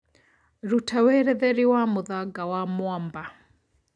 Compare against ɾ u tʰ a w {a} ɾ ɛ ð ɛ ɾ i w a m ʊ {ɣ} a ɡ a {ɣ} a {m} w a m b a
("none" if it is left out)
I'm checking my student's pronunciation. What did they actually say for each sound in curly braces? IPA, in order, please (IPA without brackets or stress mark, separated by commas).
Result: ɛ, ð, w, m